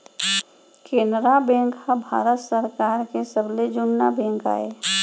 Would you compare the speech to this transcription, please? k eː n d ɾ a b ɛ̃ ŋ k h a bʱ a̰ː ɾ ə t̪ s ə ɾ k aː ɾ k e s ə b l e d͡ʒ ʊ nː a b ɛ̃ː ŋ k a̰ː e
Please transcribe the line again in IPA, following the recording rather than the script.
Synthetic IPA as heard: k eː n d ɾ a b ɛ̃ ŋ k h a bʱ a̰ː ɾ ə t̪ s ə ɾ k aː ɾ k e s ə b l e d͡ʒ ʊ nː a b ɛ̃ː ŋ k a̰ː e